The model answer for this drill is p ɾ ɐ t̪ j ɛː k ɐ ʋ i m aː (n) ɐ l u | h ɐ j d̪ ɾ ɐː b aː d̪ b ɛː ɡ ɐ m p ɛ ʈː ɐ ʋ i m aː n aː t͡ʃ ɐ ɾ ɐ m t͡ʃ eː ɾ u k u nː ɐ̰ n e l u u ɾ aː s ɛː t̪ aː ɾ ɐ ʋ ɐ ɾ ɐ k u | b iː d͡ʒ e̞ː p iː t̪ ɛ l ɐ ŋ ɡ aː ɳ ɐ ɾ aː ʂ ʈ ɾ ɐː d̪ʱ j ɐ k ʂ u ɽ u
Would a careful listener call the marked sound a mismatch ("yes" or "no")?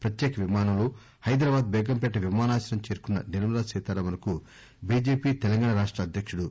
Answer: no